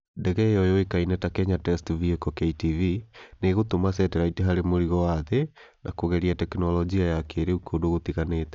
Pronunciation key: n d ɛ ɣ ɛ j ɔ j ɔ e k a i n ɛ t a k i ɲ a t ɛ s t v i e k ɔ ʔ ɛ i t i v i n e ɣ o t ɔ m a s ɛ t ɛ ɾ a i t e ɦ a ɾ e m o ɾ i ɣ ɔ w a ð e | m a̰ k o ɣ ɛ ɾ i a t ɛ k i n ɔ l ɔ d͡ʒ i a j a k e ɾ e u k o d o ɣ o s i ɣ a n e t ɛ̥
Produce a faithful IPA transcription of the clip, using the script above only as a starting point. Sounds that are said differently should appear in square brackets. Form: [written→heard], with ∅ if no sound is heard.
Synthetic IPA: n d ɛ ɣ ɛ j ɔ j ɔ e k a i n ɛ t a k [i→ɛ] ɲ a t ɛ s t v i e k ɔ [ʔ→k] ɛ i t i v i n e ɣ o t [ɔ→o] m a s ɛ t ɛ ɾ a i t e ɦ a ɾ e m o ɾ i ɣ ɔ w a ð e | [m→n] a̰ k o ɣ ɛ ɾ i a t ɛ k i n ɔ l ɔ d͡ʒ i a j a k e ɾ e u k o d o ɣ o [s→t] i ɣ a n e t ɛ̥